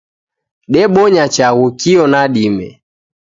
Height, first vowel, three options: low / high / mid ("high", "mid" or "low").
mid